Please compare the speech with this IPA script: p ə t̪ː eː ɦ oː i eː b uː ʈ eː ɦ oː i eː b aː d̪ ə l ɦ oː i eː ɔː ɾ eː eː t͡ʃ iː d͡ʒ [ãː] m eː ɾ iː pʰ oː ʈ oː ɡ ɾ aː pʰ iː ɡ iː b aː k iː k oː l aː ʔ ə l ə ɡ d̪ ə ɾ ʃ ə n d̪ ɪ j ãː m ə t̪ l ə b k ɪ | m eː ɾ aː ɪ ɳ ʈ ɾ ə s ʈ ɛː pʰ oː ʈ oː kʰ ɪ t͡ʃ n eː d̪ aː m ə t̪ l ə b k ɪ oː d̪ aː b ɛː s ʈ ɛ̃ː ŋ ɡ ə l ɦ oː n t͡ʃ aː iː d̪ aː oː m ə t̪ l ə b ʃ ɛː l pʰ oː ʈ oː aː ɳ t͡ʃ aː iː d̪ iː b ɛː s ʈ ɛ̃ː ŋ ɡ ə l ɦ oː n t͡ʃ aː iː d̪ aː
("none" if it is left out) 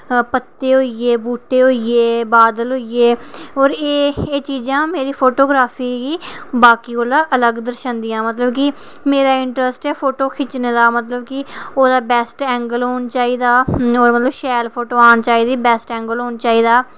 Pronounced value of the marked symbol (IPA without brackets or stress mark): ãː